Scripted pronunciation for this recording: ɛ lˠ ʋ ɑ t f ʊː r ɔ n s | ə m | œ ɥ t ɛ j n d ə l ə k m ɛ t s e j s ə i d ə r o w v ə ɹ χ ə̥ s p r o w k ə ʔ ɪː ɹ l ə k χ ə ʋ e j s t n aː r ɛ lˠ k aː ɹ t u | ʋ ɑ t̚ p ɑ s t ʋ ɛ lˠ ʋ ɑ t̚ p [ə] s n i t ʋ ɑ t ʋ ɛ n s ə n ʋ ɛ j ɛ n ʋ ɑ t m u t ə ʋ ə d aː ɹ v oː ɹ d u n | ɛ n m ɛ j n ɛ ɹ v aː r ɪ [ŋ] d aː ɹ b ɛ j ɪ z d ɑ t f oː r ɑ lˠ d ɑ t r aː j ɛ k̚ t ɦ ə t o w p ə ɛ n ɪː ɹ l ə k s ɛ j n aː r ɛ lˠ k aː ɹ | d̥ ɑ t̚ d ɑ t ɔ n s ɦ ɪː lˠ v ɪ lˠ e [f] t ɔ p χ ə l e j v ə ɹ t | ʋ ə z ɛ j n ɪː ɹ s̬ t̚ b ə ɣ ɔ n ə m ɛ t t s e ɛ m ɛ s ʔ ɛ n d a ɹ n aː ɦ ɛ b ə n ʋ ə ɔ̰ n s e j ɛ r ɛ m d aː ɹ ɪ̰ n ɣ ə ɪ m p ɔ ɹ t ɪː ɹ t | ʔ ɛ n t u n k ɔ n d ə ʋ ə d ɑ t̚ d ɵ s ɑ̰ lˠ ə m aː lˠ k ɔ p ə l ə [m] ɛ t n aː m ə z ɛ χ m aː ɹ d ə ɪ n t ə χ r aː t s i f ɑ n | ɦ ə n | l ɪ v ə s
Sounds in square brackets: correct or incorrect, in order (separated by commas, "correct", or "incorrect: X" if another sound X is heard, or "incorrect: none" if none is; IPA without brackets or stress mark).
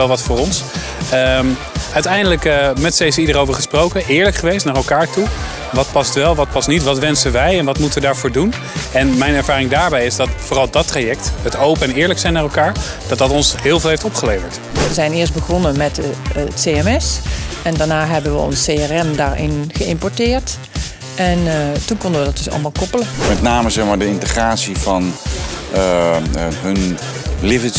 incorrect: ɑ, correct, correct, correct